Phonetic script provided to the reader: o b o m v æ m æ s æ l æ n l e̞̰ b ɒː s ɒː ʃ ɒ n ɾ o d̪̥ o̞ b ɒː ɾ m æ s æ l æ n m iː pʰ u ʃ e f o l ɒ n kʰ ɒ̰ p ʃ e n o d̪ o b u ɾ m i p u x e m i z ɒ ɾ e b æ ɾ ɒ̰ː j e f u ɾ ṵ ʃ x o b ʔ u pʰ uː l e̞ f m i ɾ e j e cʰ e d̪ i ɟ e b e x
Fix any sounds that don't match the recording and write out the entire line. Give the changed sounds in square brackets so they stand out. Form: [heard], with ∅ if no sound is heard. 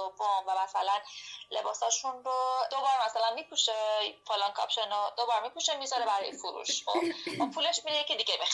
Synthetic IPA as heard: o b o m v æ m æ s æ l æ n l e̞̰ b ɒː s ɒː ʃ [u] n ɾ o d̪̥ o̞ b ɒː ɾ m æ s æ l æ n m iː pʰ u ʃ e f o l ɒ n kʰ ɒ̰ p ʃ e n o d̪ o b [ɒ] ɾ m i p u [ʃ] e m i z ɒ ɾ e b æ ɾ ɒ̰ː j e f u ɾ ṵ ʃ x o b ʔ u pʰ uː l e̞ [ʃ] m i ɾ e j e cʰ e d̪ i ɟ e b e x